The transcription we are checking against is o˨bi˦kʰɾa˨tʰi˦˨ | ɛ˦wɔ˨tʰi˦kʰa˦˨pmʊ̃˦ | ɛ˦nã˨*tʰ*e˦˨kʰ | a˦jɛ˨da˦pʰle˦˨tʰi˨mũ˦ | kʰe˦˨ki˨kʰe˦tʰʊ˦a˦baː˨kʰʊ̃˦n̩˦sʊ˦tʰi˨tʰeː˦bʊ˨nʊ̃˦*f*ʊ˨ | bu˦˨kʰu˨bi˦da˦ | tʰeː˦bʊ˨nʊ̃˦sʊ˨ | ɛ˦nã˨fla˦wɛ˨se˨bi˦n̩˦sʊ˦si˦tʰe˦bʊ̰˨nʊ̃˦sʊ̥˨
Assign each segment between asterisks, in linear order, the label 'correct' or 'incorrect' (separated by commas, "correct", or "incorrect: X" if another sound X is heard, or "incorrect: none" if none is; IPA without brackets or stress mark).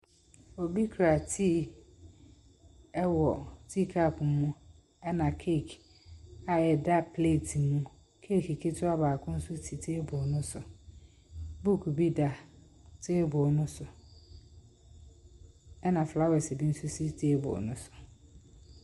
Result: incorrect: kʰ, incorrect: s